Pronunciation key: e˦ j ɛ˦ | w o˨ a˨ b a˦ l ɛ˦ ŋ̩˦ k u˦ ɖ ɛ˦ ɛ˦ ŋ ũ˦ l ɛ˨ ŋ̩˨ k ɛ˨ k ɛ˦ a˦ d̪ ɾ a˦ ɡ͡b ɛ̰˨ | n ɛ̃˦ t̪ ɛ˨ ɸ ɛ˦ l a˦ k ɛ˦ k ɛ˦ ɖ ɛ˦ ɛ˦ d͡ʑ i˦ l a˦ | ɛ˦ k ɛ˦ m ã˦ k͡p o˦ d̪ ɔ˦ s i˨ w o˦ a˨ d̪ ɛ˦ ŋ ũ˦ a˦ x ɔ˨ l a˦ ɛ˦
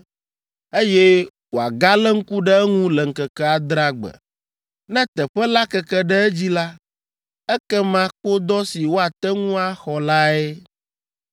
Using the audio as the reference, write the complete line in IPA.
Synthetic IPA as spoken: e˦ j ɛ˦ | w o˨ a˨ ɡ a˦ l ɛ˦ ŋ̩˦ k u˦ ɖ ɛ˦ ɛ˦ ŋ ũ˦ l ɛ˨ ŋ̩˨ k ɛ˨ k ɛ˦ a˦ d̪ ɾ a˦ ɡ͡b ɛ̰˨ | n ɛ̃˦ t̪ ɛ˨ ɸ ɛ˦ l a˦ k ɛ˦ k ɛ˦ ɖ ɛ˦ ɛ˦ d͡ʑ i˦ l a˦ | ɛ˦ k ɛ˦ m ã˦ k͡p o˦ d̪ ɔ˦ s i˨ w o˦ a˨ t̪ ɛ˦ ŋ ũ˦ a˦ x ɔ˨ l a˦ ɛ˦